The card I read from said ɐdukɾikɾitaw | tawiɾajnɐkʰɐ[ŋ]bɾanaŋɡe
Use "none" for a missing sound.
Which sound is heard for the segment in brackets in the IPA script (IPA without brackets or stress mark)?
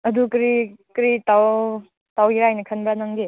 n